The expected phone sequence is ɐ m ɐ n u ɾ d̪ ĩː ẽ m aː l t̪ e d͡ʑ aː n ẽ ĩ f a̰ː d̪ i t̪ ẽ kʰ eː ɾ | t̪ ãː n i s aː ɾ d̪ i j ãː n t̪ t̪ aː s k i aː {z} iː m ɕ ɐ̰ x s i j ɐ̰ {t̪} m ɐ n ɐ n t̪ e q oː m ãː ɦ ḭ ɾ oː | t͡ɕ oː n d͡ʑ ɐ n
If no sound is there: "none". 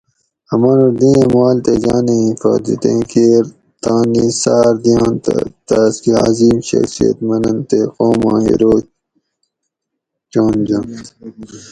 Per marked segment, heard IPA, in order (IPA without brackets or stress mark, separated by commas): z, t̪